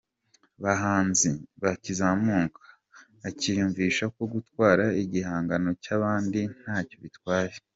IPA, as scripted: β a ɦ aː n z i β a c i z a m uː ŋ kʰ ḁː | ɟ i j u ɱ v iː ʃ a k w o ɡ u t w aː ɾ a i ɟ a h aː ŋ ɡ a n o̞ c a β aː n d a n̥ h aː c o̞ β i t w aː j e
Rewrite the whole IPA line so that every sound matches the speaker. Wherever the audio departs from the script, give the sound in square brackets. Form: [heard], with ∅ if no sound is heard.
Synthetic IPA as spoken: β a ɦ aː n z i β a c i z a m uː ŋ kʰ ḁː | [c] i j u ɱ v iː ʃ a k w o ɡ u t w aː ɾ a i ɟ [i] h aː ŋ ɡ a n o̞ c a β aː n d [i] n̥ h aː c o̞ β i t w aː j e